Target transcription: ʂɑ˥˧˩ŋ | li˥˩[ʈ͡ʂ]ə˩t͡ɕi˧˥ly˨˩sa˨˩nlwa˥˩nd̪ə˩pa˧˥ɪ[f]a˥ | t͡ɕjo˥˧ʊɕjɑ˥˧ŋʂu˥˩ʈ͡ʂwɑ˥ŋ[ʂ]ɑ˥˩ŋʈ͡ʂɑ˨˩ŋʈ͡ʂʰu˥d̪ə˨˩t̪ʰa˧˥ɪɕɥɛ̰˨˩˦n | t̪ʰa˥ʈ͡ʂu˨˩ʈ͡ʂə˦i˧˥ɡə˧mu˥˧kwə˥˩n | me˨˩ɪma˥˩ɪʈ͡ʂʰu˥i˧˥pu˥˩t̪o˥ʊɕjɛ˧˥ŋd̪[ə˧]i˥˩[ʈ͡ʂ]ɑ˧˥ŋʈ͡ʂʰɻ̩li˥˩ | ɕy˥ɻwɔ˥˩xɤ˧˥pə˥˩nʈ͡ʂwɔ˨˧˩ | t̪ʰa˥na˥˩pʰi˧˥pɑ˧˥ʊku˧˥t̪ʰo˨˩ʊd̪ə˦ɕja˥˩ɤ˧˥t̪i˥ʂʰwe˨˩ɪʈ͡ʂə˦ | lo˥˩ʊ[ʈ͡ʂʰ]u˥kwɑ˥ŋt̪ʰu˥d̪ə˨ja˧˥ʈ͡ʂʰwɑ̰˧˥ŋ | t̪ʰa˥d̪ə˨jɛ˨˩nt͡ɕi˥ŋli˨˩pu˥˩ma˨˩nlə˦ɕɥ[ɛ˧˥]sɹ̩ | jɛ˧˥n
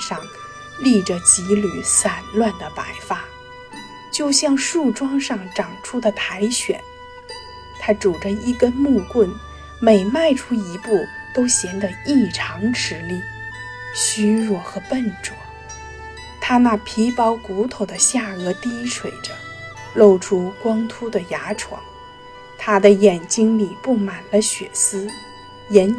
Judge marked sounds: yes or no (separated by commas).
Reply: yes, yes, yes, yes, no, yes, no